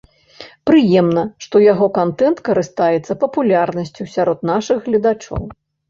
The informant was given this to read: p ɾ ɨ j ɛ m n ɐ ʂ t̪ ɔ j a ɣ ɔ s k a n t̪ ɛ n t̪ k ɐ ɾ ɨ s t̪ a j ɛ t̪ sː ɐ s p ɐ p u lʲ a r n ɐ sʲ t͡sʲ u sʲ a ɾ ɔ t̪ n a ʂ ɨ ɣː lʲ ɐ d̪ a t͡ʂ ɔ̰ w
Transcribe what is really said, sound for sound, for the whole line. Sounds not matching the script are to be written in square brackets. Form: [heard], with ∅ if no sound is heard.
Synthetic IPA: p ɾ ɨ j ɛ m n ɐ ʂ t̪ ɔ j a ɣ ɔ [∅] k a n t̪ ɛ n t̪ k ɐ ɾ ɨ s t̪ a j ɛ t̪ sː ɐ [∅] p ɐ p u lʲ a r n ɐ sʲ t͡sʲ u sʲ a ɾ ɔ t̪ n a ʂ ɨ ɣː lʲ ɐ d̪ a t͡ʂ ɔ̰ w